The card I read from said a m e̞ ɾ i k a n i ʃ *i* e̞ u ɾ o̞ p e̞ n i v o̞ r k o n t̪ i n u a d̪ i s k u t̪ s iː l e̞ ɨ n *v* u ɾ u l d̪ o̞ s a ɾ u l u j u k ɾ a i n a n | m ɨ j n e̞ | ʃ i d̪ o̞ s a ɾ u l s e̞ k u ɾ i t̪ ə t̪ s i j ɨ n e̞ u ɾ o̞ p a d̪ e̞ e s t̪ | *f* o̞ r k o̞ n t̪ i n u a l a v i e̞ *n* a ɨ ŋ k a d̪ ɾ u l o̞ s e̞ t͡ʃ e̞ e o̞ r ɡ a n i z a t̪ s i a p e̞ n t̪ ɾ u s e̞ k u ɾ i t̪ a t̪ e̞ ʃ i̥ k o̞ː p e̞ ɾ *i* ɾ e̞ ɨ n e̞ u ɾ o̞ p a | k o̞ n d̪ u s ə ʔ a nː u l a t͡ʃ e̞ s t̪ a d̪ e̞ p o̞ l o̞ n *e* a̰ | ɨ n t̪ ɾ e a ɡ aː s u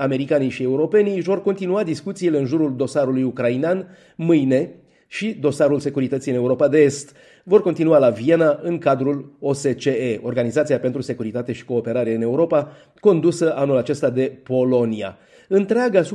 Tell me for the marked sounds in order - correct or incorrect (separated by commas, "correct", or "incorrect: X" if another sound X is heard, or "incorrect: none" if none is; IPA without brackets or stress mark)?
correct, incorrect: ʒ, incorrect: v, correct, incorrect: a, incorrect: i